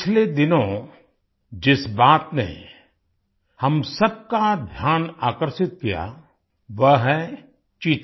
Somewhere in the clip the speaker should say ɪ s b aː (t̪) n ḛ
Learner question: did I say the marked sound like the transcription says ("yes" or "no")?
yes